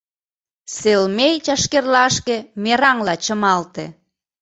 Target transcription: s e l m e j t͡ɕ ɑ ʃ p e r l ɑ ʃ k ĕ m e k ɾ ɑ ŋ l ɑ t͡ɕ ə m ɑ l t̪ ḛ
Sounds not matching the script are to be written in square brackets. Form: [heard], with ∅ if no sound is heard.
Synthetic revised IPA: s e l m e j t͡ɕ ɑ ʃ [k] e r l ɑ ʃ k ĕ m e [∅] ɾ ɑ ŋ l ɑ t͡ɕ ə m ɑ l t̪ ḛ